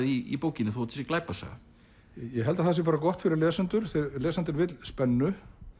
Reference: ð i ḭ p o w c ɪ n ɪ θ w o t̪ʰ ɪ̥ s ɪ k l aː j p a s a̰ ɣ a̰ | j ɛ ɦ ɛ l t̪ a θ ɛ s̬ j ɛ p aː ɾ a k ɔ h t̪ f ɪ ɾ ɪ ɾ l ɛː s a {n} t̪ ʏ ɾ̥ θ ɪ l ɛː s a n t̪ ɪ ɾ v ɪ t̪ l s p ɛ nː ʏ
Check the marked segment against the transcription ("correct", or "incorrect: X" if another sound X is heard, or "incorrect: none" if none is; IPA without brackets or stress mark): correct